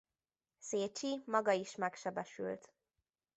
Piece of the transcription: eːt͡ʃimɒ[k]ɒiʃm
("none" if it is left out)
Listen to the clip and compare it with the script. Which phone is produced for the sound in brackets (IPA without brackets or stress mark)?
ɡ